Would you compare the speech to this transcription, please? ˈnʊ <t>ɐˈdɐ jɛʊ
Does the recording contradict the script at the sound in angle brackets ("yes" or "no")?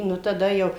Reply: no